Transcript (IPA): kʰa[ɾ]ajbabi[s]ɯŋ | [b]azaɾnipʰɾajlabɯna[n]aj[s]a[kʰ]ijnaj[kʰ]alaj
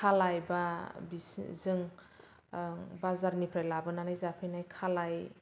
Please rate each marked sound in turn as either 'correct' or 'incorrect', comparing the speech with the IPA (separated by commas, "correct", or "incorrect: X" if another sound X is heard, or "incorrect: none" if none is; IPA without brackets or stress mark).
incorrect: l, incorrect: z, correct, correct, incorrect: z, incorrect: pʰ, correct